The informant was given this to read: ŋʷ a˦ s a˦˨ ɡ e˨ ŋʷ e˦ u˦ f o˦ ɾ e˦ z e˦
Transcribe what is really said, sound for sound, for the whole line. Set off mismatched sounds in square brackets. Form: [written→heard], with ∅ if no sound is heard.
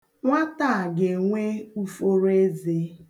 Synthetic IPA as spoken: ŋʷ a˦ [s→t] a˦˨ ɡ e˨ ŋʷ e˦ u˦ f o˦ ɾ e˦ z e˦